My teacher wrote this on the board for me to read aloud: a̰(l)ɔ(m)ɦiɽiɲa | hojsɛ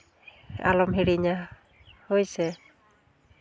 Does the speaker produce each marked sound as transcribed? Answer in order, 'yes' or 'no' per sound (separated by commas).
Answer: yes, yes